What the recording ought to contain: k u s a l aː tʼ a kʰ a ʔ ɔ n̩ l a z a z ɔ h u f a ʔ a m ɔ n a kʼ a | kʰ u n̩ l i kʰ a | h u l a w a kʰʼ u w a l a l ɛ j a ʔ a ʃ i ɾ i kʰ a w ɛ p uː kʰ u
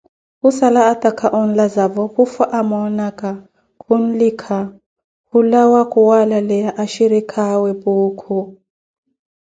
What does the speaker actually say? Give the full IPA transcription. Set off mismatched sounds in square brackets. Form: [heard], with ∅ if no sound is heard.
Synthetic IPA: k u s a l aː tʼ a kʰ a ʔ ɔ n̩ l a z a [v] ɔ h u f a ʔ a m ɔ n a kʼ a | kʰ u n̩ l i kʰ a | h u l a w a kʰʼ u w a l a l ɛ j a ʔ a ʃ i ɾ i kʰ a w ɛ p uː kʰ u